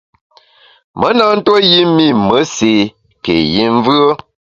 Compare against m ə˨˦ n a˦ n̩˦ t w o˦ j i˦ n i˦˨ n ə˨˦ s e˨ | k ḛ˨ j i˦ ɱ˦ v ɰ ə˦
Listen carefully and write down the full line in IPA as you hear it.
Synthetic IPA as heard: m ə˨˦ n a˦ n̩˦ t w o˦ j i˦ m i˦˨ m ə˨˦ s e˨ | k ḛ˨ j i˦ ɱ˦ v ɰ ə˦